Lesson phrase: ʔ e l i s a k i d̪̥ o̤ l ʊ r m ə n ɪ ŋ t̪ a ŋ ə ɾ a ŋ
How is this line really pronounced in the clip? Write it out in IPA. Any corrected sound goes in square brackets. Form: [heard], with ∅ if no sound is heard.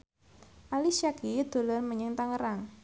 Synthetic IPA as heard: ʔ [a] l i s a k i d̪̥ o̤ l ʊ r m ə [ɲ] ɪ ŋ t̪ a ŋ ə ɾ a ŋ